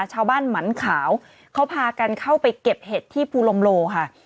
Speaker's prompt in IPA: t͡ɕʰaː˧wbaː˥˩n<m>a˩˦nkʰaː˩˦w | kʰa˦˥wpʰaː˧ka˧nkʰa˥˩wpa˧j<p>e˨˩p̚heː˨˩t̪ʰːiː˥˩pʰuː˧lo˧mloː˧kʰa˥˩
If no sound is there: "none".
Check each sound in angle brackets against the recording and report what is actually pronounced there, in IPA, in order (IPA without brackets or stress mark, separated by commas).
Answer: m, k